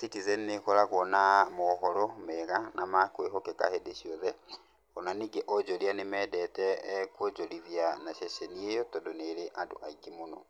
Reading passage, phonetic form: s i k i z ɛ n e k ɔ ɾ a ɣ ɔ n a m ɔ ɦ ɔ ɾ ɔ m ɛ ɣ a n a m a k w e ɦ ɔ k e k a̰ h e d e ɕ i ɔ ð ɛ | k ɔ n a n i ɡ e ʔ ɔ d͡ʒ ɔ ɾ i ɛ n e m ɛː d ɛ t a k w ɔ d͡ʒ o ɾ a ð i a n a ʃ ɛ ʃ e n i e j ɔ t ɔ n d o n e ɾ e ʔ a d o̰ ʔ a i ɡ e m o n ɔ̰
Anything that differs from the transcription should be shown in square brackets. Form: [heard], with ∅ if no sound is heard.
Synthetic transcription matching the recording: s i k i z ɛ n e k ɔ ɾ a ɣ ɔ n a m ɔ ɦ ɔ ɾ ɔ m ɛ ɣ a n a m a k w e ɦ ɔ k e k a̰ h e d e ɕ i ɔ ð ɛ | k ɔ n a n i ɡ e ʔ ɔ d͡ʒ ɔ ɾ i [a] n e m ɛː d ɛ t [ɛ] k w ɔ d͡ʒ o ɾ [i] ð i a n a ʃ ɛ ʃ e n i e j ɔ t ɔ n d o n e ɾ e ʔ a d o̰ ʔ a i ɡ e m o n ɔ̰